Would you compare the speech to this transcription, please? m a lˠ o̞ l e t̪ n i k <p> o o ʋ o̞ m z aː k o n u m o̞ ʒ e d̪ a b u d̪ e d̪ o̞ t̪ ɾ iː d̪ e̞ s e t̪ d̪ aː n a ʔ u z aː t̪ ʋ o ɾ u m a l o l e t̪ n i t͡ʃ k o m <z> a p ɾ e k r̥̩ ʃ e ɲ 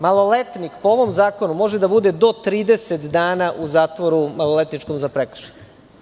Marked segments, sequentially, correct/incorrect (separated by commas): correct, correct